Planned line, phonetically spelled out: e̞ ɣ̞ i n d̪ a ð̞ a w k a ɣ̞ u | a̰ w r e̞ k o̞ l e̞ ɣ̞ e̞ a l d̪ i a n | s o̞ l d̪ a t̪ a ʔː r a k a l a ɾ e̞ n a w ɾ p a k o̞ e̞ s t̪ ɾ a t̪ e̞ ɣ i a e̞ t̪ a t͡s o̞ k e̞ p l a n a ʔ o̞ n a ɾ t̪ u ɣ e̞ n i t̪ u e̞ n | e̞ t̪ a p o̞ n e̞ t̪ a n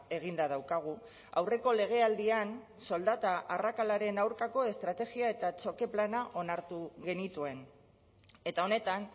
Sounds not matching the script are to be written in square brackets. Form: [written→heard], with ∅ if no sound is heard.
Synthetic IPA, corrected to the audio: e̞ ɣ̞ i n d̪ a ð̞ a w k a ɣ̞ u | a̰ w r e̞ k o̞ l e̞ ɣ̞ e̞ a l d̪ i a n | s o̞ l d̪ a t̪ a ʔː r a k a l a ɾ e̞ n a w ɾ [p→k] a k o̞ e̞ s t̪ ɾ a t̪ e̞ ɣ i a e̞ t̪ a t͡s o̞ k e̞ p l a n a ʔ o̞ n a ɾ t̪ u ɣ e̞ n i t̪ u e̞ n | e̞ t̪ a [p→∅] o̞ n e̞ t̪ a n